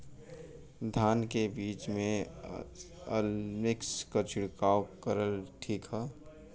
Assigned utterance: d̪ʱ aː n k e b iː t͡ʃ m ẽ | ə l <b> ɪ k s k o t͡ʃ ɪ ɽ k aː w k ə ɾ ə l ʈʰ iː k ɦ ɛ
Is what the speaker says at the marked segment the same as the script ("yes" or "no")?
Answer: no